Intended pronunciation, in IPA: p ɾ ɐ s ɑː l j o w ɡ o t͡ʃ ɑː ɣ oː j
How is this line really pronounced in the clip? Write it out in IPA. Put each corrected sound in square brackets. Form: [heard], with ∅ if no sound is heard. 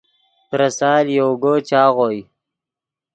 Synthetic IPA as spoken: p ɾ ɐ s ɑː l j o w ɡ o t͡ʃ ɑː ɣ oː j